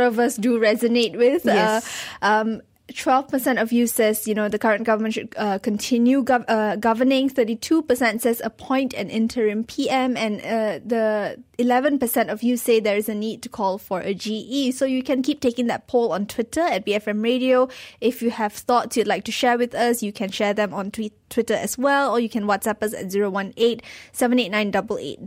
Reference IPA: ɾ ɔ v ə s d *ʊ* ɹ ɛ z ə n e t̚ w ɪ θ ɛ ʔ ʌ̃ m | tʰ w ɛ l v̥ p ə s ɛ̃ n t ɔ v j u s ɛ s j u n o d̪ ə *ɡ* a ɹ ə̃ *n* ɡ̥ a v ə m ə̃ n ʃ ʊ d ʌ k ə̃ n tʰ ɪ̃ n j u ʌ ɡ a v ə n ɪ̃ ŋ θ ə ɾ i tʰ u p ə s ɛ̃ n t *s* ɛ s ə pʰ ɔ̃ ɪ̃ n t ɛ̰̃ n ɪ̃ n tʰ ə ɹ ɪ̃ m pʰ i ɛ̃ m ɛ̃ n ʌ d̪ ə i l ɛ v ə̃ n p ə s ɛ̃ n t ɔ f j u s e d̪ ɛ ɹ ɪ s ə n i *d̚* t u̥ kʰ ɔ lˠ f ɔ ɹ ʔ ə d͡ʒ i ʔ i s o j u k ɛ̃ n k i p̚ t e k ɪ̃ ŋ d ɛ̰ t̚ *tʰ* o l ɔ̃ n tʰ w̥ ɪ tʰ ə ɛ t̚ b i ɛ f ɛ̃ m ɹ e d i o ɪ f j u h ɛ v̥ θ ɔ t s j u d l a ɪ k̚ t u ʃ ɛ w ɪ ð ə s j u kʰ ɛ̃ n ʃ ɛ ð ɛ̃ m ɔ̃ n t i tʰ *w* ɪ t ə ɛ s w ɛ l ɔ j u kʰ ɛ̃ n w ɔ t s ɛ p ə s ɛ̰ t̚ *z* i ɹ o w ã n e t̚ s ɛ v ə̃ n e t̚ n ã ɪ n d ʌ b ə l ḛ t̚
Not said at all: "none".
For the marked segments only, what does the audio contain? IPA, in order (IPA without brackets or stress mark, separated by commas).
u, k, n, s, d̚, pʰ, w, z